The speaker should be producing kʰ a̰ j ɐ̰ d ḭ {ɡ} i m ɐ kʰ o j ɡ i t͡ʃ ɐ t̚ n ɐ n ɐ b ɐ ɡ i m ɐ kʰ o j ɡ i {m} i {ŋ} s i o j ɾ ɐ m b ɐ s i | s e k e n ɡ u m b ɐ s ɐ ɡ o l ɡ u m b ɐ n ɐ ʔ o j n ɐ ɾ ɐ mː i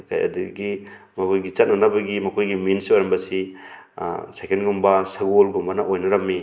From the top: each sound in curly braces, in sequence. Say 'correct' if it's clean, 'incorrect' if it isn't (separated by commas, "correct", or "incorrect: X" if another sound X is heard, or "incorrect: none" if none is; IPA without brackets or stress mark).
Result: correct, correct, incorrect: n